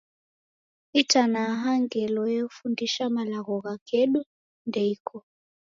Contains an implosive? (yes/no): yes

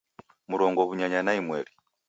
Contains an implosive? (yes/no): no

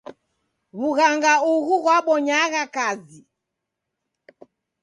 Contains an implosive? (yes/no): yes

